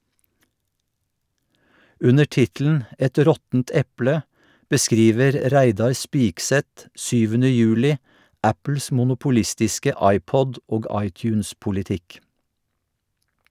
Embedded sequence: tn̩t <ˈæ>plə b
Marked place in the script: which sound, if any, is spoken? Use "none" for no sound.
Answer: ɛ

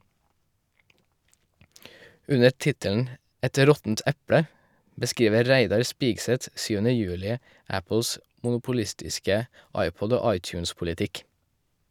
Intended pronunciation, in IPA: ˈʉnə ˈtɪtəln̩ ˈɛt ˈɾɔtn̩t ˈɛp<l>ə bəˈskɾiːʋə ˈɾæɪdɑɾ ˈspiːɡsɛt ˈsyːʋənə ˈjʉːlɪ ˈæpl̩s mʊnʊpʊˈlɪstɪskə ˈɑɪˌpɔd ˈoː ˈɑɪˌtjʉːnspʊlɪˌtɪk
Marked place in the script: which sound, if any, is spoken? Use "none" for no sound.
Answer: ɽ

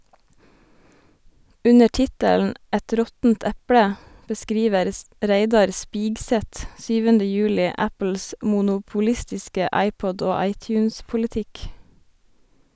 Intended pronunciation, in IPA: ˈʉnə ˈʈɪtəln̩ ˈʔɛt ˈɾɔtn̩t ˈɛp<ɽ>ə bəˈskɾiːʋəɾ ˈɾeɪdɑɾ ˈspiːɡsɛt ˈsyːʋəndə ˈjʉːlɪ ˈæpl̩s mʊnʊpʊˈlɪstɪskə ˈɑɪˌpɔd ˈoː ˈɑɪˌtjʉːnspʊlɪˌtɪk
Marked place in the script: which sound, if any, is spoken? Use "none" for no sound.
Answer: ɽ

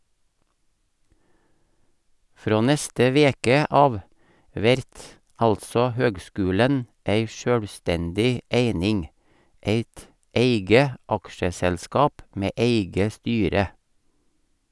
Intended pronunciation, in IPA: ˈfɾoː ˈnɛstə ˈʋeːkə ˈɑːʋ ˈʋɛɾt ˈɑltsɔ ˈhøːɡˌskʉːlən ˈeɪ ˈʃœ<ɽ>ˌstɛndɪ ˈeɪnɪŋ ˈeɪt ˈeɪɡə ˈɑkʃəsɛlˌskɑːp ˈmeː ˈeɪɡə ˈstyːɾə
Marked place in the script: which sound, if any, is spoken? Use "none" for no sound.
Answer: ɽ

